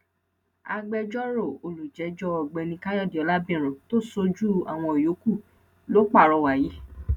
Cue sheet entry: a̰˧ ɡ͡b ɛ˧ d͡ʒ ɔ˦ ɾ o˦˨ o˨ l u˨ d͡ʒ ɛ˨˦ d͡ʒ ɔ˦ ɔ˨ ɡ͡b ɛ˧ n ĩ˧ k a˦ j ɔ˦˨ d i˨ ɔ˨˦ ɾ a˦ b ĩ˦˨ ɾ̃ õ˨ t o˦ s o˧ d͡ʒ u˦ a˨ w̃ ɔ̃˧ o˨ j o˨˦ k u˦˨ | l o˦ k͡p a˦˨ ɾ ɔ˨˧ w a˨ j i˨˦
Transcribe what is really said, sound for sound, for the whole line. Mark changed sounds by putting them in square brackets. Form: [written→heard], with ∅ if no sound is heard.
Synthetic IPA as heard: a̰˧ ɡ͡b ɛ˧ d͡ʒ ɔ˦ ɾ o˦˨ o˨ l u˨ d͡ʒ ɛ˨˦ d͡ʒ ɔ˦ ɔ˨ ɡ͡b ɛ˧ n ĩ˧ k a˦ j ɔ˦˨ d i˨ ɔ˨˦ [ɾ→l] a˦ b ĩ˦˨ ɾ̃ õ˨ t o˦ s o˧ d͡ʒ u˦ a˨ w̃ ɔ̃˧ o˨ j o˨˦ k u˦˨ | l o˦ k͡p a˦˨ ɾ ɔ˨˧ w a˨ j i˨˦